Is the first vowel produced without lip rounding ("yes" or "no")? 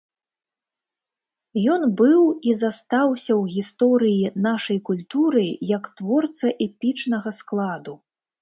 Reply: no